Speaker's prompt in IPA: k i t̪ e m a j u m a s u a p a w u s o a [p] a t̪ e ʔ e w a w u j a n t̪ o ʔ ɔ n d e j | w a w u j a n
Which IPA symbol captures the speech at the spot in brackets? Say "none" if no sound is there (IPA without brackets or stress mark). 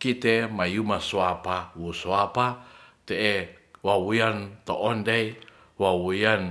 p